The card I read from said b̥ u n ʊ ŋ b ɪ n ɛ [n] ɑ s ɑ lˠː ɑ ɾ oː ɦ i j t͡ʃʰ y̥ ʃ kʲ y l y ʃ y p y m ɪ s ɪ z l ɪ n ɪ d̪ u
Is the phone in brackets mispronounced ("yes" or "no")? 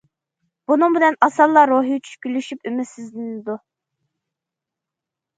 no